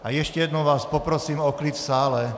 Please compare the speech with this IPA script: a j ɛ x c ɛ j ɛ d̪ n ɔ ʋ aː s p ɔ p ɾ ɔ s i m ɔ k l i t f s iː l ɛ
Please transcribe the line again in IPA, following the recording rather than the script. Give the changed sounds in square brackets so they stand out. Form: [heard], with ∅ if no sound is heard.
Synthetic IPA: a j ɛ [ʃ] c ɛ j ɛ d̪ n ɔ ʋ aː s p ɔ p ɾ ɔ s [iː] m ɔ k l i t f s [aː] l ɛ